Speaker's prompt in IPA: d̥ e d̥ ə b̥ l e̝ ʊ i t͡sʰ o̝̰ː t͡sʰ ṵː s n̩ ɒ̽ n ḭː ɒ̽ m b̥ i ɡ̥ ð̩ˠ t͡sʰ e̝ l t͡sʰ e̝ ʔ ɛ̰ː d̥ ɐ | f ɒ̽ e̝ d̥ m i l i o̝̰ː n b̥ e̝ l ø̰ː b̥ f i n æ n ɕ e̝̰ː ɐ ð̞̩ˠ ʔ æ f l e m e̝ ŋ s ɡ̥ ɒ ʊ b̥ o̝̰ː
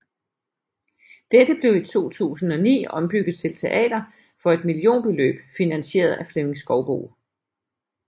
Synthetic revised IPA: d̥ e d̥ ə b̥ l e̝ ʊ i t͡sʰ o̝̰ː t͡sʰ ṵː s n̩ ɒ̽ n ḭː ɒ̽ m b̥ y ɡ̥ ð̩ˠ t͡sʰ e̝ l t͡sʰ e̝ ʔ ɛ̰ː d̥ ɐ | f ɒ̽ e̝ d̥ m i l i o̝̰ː n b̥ e̝ l ø̰ː b̥ f i n æ n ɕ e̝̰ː ɐ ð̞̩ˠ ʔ æ f l e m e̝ ŋ s ɡ̥ ɒ ʊ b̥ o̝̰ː